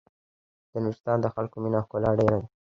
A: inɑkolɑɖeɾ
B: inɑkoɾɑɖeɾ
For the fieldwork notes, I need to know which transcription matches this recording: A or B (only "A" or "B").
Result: A